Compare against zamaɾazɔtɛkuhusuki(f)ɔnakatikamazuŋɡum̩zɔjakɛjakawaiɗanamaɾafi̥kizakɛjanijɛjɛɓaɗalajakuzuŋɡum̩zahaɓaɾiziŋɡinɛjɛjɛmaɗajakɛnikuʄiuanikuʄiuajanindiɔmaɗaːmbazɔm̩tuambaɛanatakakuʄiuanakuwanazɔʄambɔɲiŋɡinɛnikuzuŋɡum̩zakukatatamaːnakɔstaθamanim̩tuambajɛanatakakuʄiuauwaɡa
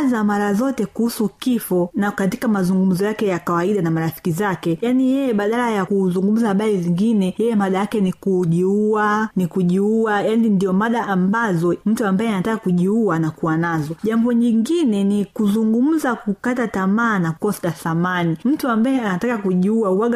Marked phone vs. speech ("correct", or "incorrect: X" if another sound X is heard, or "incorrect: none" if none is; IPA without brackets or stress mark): correct